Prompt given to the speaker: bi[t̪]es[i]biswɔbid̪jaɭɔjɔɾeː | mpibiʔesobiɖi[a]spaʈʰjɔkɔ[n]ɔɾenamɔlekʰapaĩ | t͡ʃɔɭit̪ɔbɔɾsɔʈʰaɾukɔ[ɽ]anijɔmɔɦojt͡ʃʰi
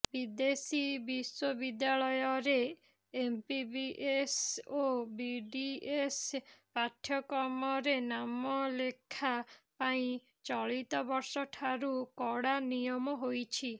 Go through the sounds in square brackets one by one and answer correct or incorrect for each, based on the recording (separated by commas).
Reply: incorrect, correct, incorrect, incorrect, correct